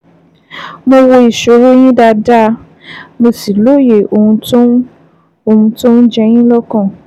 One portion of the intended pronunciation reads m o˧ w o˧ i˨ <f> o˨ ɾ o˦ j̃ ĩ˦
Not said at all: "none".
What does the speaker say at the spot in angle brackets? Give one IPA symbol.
ʃ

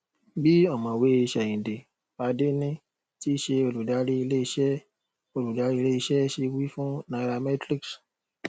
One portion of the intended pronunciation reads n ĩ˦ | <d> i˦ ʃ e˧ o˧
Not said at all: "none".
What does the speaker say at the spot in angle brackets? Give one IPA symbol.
t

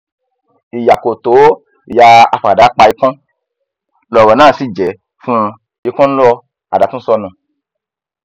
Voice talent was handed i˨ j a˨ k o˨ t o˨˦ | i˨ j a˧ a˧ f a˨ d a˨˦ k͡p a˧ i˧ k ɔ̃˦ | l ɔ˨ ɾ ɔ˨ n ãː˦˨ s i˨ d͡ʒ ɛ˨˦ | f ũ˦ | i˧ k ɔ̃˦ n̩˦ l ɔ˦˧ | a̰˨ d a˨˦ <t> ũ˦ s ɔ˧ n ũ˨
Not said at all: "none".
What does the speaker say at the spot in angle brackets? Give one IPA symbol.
t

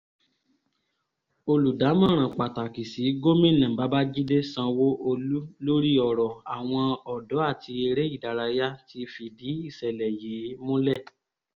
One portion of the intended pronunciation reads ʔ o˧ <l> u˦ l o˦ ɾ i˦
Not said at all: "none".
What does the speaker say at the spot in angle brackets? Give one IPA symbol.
l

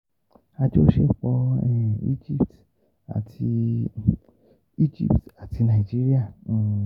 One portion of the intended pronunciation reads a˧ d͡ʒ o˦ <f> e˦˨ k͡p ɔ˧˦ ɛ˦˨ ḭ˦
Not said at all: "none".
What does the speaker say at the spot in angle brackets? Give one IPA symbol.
ʃ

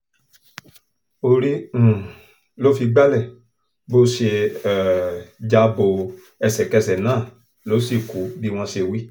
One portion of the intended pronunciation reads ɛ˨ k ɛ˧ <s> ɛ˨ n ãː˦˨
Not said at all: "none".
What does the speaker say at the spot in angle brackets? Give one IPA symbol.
s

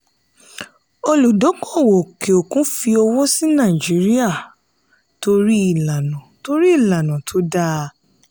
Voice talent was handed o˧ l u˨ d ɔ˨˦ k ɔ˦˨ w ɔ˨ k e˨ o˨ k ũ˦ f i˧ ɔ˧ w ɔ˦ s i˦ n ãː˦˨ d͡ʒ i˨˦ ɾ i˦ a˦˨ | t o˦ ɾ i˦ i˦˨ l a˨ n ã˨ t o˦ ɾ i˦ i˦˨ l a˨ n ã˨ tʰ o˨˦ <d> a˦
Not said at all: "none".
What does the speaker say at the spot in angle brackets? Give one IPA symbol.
d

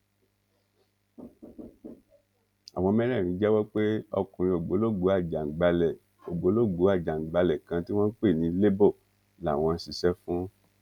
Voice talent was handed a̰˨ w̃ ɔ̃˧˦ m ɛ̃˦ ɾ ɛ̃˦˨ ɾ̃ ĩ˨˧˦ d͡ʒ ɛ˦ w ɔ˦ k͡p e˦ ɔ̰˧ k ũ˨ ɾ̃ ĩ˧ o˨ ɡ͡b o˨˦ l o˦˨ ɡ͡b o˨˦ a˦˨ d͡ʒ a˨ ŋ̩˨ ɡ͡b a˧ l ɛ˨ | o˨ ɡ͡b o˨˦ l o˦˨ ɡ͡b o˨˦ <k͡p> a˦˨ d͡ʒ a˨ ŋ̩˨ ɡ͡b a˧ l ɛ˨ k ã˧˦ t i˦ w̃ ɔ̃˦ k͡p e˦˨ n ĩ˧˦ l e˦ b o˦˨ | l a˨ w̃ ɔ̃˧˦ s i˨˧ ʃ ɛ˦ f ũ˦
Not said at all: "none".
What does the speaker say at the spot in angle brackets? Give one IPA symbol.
none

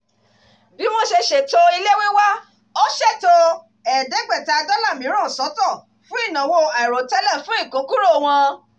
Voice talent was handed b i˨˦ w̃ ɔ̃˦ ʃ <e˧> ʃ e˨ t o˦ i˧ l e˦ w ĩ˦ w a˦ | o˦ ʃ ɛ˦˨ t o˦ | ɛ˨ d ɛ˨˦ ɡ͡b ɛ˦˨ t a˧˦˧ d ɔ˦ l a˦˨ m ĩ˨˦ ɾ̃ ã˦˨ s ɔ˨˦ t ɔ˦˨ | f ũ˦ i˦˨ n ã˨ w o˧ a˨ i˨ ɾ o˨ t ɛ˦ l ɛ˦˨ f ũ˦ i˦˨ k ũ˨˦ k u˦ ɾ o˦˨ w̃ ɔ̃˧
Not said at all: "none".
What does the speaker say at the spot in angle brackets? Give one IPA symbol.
e˧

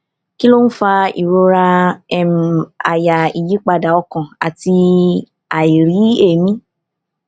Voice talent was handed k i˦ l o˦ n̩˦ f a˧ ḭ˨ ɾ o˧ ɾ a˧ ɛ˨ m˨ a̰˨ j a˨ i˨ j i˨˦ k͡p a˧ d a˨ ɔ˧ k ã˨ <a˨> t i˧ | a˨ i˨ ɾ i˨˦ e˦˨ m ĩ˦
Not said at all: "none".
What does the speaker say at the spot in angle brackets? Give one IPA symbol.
a˨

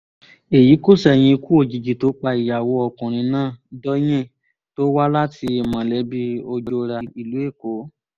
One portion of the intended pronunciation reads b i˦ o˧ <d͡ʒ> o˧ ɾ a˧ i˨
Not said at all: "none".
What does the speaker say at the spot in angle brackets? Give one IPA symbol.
d͡ʒ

